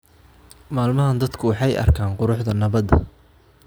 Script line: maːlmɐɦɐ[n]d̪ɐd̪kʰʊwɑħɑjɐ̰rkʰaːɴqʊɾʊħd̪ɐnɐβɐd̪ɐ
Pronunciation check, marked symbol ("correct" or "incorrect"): correct